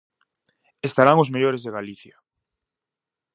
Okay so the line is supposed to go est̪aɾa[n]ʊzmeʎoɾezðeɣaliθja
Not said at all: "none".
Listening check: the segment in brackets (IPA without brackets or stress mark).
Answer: ŋ